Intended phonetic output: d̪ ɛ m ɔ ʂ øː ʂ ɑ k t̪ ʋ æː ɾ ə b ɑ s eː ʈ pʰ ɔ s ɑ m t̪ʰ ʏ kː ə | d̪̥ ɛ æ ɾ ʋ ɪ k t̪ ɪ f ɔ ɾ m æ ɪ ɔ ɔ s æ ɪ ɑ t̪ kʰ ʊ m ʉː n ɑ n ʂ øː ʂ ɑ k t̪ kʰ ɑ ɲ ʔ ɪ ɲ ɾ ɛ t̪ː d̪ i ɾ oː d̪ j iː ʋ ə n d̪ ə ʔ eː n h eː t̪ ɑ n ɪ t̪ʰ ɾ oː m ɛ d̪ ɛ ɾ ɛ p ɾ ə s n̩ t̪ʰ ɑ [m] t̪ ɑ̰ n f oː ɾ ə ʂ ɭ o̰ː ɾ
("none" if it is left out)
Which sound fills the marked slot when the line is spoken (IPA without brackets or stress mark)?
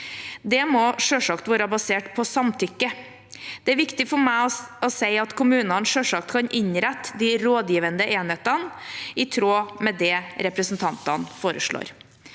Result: n